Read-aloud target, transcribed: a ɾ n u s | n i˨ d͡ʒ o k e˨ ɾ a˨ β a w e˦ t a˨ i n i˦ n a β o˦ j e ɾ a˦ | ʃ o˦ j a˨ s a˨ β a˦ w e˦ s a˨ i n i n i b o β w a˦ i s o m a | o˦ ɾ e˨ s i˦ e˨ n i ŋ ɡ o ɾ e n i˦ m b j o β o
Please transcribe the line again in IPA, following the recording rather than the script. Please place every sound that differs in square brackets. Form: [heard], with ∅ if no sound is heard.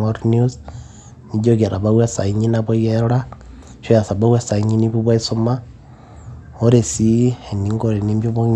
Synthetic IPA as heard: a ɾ n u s | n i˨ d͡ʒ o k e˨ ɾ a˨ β a w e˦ [s] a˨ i [ɲ] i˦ n a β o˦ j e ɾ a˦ | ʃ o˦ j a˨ s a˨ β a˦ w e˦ s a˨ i [ɲ] i n i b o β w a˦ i s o m a | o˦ ɾ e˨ s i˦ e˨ n i ŋ ɡ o ɾ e n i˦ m b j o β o